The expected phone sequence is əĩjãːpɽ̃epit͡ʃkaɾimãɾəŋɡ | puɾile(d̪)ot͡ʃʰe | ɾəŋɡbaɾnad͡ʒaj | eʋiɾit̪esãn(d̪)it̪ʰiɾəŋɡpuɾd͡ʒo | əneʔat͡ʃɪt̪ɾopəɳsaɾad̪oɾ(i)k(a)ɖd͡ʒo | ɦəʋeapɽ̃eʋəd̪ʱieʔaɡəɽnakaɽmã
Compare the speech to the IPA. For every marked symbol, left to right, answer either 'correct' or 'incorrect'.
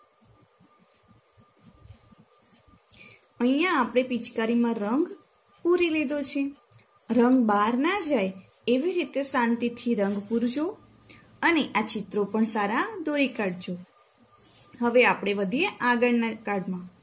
correct, incorrect: t̪, correct, correct

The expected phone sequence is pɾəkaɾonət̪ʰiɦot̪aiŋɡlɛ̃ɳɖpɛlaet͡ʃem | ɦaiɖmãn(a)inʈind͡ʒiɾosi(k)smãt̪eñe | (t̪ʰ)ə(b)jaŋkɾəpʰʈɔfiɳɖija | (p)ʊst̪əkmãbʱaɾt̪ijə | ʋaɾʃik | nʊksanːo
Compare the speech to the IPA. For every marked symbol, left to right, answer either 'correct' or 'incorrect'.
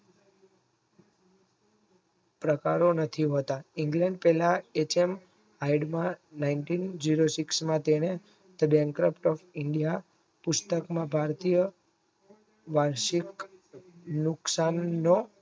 correct, correct, incorrect: t̪, correct, correct

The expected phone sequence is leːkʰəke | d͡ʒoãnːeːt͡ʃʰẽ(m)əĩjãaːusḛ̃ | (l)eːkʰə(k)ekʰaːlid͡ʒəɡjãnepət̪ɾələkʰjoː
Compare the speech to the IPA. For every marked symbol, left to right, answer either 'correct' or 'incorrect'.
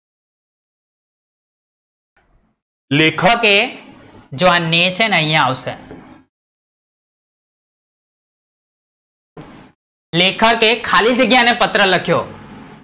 incorrect: n, correct, correct

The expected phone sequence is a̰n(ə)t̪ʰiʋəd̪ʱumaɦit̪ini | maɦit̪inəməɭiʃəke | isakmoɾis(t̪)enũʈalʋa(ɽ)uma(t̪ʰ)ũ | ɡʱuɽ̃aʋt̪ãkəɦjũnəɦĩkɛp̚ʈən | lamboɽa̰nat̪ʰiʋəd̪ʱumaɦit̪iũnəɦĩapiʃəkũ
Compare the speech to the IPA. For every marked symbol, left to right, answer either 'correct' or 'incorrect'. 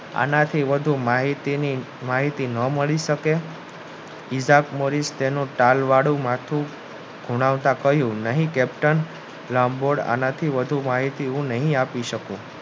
incorrect: a, correct, correct, correct

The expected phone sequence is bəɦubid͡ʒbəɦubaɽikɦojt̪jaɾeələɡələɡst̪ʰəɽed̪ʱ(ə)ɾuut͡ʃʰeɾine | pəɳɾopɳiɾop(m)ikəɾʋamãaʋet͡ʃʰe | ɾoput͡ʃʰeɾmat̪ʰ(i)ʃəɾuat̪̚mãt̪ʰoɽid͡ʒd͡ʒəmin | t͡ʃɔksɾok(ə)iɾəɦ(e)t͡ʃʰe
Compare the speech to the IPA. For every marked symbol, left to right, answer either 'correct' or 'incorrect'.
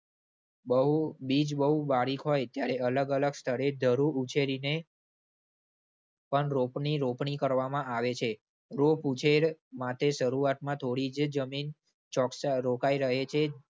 correct, incorrect: ɳ, incorrect: e, incorrect: a, correct

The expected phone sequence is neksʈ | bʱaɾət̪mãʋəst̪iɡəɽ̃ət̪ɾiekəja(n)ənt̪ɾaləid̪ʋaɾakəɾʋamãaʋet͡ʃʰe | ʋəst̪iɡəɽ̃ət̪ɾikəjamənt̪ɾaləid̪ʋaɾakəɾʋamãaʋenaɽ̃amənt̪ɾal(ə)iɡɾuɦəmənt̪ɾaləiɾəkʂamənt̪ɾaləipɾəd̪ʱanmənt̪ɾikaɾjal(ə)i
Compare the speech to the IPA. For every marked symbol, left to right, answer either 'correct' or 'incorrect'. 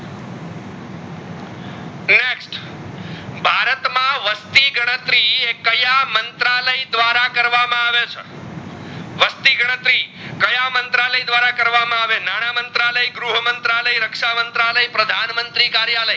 incorrect: m, correct, correct

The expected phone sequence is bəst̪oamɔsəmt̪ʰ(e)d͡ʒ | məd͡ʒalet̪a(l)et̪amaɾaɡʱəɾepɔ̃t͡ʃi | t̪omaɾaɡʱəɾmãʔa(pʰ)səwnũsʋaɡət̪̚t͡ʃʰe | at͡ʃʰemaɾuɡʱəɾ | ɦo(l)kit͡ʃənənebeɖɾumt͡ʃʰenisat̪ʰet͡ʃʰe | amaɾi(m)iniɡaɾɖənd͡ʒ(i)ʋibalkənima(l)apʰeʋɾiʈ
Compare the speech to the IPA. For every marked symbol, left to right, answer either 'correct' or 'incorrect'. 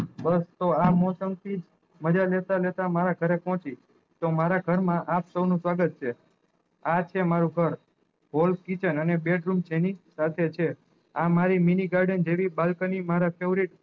incorrect: i, correct, incorrect: p, correct, correct, incorrect: e, incorrect: ɾ

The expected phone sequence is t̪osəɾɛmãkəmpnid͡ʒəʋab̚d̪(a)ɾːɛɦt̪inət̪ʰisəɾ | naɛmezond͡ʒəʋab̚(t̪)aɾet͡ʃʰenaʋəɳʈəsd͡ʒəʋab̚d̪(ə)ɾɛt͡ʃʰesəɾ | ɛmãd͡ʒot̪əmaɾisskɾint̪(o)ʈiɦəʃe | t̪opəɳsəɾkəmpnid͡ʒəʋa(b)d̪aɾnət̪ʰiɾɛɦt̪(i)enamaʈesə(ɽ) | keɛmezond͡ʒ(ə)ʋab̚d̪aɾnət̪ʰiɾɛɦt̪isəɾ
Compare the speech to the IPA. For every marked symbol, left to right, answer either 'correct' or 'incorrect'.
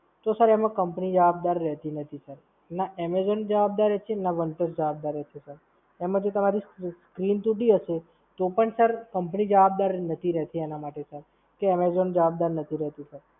correct, incorrect: d̪, incorrect: a, incorrect: u, correct, correct, incorrect: ɾ, correct

